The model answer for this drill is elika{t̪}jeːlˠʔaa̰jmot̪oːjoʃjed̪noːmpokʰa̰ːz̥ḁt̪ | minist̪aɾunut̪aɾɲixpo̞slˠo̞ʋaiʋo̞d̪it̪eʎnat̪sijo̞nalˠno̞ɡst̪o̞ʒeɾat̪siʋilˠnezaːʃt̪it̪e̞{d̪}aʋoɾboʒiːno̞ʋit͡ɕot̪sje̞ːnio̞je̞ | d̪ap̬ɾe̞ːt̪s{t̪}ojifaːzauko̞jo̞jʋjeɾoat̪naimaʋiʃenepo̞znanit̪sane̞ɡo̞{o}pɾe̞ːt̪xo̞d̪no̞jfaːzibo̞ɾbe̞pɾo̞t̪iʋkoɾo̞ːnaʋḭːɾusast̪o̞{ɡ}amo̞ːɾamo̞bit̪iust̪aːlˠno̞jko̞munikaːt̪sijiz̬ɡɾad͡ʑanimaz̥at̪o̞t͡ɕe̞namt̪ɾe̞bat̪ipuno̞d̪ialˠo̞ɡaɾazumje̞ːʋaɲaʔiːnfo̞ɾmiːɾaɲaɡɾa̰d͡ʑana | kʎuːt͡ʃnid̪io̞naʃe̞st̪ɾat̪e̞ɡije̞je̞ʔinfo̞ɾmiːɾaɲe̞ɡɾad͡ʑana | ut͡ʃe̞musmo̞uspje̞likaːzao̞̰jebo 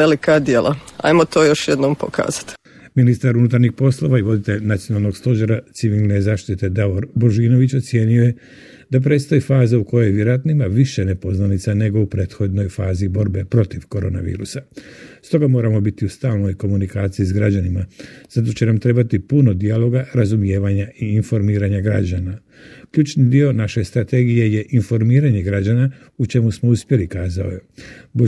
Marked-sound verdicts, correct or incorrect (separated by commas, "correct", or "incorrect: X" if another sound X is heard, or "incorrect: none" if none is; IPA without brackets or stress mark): incorrect: d̪, correct, correct, incorrect: u, correct